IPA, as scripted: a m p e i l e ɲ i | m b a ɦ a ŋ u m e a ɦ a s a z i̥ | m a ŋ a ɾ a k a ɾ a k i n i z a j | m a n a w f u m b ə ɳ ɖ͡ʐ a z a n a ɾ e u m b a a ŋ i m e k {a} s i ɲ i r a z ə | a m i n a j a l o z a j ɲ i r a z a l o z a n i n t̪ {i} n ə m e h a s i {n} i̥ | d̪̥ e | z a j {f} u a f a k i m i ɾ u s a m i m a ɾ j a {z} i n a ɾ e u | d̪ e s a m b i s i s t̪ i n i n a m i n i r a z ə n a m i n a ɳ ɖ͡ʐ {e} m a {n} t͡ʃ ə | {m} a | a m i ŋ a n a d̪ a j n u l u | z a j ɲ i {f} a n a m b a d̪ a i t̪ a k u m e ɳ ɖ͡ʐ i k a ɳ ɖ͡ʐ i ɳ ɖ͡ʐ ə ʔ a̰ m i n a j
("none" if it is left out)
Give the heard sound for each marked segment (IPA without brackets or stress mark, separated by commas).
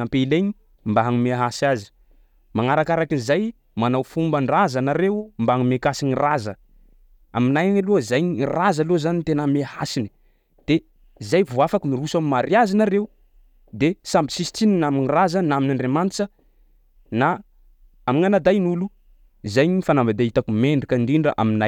a, e, n, v, z, e, n, n, f